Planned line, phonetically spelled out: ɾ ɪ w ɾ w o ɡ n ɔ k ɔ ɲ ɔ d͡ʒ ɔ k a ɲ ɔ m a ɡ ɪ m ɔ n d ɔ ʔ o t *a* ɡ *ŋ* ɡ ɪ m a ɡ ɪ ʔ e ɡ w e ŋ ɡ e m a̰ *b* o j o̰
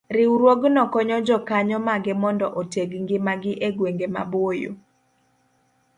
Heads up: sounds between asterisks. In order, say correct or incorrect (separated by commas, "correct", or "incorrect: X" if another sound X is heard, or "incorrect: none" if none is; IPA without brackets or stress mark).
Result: incorrect: e, correct, correct